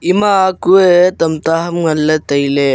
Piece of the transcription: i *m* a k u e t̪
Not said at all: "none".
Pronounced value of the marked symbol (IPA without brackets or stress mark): m